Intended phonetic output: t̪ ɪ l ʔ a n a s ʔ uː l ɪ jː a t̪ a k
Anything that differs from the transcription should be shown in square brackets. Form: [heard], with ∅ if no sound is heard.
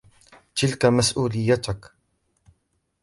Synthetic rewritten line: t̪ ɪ l [k] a [m] a s ʔ uː l ɪ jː a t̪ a k